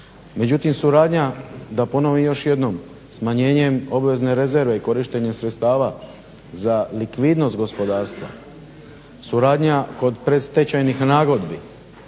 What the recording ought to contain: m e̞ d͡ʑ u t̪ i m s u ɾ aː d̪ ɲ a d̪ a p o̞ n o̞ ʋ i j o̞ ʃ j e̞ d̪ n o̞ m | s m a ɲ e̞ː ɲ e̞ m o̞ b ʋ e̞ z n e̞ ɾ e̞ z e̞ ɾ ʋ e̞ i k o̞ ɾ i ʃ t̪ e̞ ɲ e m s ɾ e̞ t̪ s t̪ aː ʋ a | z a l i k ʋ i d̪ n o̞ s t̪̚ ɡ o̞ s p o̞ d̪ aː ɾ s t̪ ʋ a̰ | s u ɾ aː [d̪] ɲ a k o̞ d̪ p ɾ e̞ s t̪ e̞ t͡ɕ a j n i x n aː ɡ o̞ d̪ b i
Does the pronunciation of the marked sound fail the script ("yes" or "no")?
no